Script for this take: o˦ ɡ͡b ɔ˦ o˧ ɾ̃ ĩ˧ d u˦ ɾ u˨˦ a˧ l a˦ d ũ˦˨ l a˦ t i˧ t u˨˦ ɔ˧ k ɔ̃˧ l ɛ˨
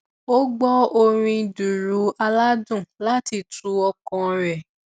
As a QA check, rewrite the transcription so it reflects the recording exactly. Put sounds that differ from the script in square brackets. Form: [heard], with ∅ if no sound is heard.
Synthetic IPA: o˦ ɡ͡b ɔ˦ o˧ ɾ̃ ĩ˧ d [u˨] ɾ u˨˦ a˧ l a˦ d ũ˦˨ l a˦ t i˧ t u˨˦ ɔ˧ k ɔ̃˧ [ɾ] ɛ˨